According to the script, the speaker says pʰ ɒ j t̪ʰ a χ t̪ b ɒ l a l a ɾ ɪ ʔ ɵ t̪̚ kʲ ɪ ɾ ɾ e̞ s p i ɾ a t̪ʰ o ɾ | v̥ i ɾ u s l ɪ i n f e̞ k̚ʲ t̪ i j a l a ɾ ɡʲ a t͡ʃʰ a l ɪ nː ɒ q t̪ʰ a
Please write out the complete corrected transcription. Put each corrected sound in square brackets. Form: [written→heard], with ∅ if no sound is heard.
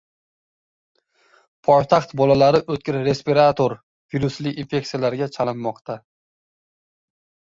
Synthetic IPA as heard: pʰ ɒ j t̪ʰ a χ t̪ b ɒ l a l a ɾ ɪ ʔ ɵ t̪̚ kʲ ɪ ɾ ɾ e̞ s p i ɾ a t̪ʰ o ɾ | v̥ i ɾ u s l ɪ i n f e̞ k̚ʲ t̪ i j a l a ɾ ɡʲ a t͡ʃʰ a l ɪ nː ɒ q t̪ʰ a

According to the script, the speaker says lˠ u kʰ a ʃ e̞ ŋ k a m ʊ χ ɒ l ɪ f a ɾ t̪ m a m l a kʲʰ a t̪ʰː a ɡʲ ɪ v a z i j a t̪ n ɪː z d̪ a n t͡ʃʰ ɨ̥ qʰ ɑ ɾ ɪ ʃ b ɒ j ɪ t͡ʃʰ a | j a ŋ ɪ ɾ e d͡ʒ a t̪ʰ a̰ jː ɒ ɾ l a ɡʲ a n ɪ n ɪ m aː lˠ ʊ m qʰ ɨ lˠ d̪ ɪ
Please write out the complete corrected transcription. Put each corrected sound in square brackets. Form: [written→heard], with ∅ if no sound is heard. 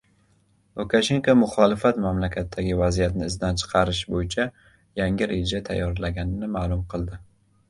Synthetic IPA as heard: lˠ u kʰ a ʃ e̞ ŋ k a m ʊ χ ɒ l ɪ f a [ɾ→∅] t̪ m a m l a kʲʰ a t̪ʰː a ɡʲ ɪ v a z i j a t̪ n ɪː z d̪ a n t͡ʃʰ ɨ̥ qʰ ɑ ɾ ɪ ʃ b [ɒ→o] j ɪ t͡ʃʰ a | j a ŋ ɪ ɾ e d͡ʒ a t̪ʰ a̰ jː ɒ ɾ l a ɡʲ a n ɪ n ɪ m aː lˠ ʊ m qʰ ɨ lˠ d̪ ɪ

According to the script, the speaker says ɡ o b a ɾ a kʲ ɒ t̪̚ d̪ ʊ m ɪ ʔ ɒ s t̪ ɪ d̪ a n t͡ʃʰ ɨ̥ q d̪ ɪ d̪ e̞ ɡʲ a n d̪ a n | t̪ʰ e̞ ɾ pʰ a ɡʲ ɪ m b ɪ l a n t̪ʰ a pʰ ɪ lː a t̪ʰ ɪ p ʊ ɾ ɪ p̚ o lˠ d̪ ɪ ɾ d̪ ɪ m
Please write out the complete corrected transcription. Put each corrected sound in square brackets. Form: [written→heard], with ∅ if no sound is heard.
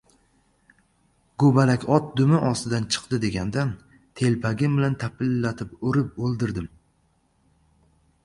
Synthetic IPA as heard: ɡ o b a [ɾ→l] a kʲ ɒ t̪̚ d̪ ʊ m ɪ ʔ ɒ s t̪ ɪ d̪ a n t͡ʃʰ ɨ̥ q d̪ ɪ d̪ e̞ ɡʲ a n d̪ a n | t̪ʰ e̞ [ɾ→l] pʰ a ɡʲ ɪ m b ɪ l a n t̪ʰ a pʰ ɪ lː a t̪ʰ ɪ p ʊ ɾ ɪ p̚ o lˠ d̪ ɪ ɾ d̪ ɪ m

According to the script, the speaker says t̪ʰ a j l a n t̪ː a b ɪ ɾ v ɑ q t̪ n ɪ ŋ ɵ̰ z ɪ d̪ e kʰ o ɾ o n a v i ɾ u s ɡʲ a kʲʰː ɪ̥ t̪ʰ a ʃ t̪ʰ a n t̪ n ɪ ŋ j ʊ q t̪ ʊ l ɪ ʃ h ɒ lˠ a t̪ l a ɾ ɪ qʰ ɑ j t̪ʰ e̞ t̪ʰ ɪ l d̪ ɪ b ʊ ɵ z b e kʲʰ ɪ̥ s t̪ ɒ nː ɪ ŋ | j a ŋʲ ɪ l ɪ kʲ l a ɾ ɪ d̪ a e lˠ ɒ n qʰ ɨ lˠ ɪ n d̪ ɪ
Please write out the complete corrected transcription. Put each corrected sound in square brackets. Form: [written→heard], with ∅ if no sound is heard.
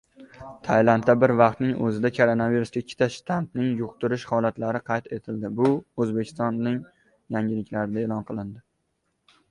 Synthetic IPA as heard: t̪ʰ a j l a n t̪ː a b ɪ ɾ v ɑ q t̪ n ɪ ŋ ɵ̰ z ɪ d̪ [e→a] kʰ o ɾ o n a v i ɾ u s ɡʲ a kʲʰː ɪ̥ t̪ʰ a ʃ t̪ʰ a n t̪ n ɪ ŋ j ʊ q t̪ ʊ [l→ɾ] ɪ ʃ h ɒ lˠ a t̪ l a ɾ ɪ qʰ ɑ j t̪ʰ e̞ t̪ʰ ɪ l d̪ ɪ b ʊ ɵ z b e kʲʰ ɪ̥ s t̪ ɒ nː ɪ ŋ | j a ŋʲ ɪ l ɪ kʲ l a ɾ ɪ d̪ a e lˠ ɒ n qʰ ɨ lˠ ɪ n d̪ ɪ

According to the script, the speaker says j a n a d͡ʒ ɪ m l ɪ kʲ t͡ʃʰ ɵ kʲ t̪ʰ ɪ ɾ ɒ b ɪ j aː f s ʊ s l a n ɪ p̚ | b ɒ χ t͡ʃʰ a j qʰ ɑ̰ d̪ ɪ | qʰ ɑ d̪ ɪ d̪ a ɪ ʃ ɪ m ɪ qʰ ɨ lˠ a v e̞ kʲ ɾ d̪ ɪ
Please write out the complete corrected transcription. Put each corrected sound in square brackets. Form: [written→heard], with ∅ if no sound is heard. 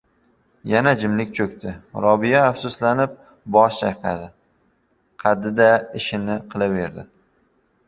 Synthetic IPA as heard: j a n a d͡ʒ ɪ m l ɪ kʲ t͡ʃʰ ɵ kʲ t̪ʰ ɪ ɾ ɒ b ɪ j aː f s ʊ s l a n ɪ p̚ | b ɒ [χ→ʃ] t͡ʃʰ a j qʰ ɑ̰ d̪ ɪ | qʰ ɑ d̪ ɪ d̪ a ɪ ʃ ɪ [m→n] ɪ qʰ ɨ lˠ a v e̞ [kʲ→∅] ɾ d̪ ɪ

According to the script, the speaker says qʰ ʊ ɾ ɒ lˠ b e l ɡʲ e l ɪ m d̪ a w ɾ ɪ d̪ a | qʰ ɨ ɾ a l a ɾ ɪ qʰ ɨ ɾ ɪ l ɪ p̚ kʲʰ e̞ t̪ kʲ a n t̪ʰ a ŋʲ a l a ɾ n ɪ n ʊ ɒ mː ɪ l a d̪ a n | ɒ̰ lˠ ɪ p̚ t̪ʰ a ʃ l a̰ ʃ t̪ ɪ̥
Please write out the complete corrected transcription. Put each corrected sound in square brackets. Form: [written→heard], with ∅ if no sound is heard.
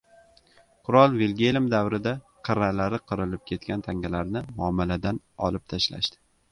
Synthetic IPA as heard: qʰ ʊ ɾ ɒ lˠ [b→v] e l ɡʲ e l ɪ m d̪ a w ɾ ɪ d̪ a | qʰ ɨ ɾ a l a ɾ ɪ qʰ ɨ ɾ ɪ l ɪ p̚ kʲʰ e̞ t̪ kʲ a n t̪ʰ a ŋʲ a l a ɾ n ɪ [n→m] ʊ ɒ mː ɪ l a d̪ a n | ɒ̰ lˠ ɪ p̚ t̪ʰ a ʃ l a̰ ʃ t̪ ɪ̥

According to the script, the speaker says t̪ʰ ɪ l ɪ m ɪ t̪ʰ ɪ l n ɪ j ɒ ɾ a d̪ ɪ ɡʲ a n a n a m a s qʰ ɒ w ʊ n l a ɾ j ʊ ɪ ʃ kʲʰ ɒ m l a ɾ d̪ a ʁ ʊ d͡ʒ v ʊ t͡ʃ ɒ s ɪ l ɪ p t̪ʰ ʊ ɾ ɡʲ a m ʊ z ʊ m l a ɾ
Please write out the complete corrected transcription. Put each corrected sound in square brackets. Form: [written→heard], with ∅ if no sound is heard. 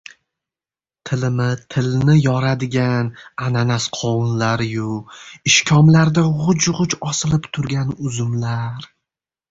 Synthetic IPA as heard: t̪ʰ ɪ l ɪ m ɪ t̪ʰ ɪ l n ɪ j ɒ ɾ a d̪ ɪ ɡʲ a n a n a [m→n] a s qʰ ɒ w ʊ n l a ɾ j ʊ ɪ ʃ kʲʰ ɒ m l a ɾ d̪ a ʁ ʊ d͡ʒ [v→ʁ] ʊ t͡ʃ ɒ s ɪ l ɪ p t̪ʰ ʊ ɾ ɡʲ a [m→n] ʊ z ʊ m l a ɾ

